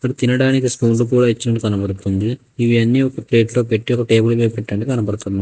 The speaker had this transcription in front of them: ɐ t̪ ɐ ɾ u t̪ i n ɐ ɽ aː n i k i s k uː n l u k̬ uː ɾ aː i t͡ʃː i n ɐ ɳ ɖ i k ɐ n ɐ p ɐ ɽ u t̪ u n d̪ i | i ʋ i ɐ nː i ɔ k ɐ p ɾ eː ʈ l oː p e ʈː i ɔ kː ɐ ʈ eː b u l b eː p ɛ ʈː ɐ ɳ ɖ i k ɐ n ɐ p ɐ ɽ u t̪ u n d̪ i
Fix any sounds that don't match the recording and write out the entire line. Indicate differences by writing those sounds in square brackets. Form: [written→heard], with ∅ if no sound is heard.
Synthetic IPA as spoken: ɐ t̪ ɐ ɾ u t̪ i n ɐ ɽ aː n i k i s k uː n l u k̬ uː [ɾ→ɽ] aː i t͡ʃː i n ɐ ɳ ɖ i k ɐ n ɐ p ɐ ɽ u t̪ u n d̪ i | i ʋ i ɐ nː i ɔ k ɐ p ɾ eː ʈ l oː p e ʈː i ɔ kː ɐ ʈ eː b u l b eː p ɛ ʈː ɐ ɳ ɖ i k ɐ n ɐ p ɐ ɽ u t̪ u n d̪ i

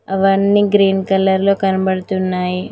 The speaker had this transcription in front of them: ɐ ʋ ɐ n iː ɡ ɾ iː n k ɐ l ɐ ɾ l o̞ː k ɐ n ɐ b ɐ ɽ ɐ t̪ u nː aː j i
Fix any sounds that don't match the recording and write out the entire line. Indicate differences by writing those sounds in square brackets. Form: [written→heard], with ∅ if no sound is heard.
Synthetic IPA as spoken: ɐ ʋ ɐ [n→nː] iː ɡ ɾ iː n k ɐ l ɐ ɾ l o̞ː k ɐ n ɐ b ɐ ɽ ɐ t̪ u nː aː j i

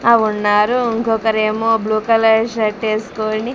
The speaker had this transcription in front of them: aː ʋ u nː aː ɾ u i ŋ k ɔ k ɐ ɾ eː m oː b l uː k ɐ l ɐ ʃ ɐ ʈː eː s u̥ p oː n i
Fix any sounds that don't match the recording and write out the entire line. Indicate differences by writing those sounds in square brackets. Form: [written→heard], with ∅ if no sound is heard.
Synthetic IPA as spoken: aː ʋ u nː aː ɾ u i ŋ k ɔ k ɐ ɾ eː m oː b l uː k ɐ l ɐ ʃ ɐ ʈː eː s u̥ [p→k] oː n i

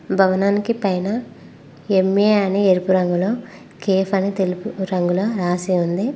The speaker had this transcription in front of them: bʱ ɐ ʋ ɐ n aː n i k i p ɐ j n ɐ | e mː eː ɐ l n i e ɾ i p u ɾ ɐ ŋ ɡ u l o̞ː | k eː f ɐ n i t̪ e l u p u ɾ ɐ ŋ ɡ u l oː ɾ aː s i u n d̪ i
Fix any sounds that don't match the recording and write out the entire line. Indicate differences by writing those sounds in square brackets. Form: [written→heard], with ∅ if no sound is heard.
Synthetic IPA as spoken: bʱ ɐ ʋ ɐ n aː n i k i p ɐ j n ɐ | e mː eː ɐ [l→∅] n i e ɾ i p u ɾ ɐ ŋ ɡ u l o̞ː | k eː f ɐ n i t̪ e l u p u ɾ ɐ ŋ ɡ u l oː ɾ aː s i u n d̪ i

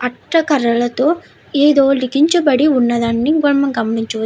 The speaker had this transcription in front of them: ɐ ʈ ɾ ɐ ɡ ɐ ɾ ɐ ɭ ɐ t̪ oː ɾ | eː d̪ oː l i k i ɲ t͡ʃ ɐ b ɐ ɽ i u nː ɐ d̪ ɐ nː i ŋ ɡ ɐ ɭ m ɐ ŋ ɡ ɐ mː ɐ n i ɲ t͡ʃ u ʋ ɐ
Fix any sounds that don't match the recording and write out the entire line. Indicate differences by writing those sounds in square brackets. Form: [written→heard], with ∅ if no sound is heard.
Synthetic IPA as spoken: ɐ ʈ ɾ ɐ [ɡ→k] ɐ ɾ ɐ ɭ ɐ t̪ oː [ɾ→∅] | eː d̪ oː l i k i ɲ t͡ʃ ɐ b ɐ ɽ i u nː ɐ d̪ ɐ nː i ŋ ɡ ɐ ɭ m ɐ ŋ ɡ ɐ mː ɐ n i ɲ t͡ʃ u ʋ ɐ

